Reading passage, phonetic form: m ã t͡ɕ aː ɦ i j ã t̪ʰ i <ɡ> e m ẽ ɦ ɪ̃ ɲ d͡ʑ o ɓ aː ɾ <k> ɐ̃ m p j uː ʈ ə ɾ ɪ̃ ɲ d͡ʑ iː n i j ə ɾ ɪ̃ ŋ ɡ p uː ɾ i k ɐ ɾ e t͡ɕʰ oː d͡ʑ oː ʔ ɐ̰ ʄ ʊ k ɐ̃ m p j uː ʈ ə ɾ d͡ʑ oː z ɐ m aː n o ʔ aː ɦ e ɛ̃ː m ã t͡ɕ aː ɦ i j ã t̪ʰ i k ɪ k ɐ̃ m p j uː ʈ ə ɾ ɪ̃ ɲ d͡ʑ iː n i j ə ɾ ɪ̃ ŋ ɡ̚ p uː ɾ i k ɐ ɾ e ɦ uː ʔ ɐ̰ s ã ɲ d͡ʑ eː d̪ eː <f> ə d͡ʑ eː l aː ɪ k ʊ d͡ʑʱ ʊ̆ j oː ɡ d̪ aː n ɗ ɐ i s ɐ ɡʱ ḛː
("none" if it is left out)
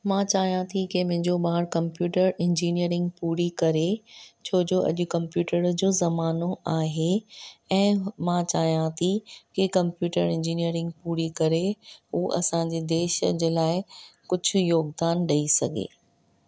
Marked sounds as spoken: k, k, ʃ

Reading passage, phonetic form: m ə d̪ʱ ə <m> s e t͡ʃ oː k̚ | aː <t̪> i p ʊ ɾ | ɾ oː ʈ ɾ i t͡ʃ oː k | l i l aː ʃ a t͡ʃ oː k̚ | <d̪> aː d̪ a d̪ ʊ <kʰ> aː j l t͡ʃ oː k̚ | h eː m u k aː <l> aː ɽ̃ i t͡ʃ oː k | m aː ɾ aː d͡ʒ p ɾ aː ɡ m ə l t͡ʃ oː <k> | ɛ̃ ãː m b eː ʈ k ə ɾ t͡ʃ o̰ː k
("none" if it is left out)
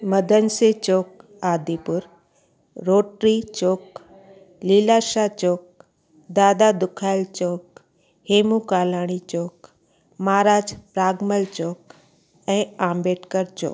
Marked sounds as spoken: n, d̪, d̪, kʰ, l, k

